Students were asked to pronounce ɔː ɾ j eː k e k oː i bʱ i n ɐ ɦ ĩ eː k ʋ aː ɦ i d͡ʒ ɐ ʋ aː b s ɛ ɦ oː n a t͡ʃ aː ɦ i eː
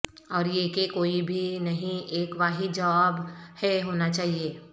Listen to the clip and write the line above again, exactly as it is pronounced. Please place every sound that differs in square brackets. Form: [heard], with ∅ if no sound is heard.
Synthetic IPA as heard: ɔː ɾ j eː k e k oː i bʱ i n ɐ ɦ ĩ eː k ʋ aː ɦ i d͡ʒ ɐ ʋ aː b [h] ɛ ɦ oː n a t͡ʃ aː ɦ i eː